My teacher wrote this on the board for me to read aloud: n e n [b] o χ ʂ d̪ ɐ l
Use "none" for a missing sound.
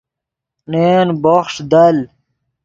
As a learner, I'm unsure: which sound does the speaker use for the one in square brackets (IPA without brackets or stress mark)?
b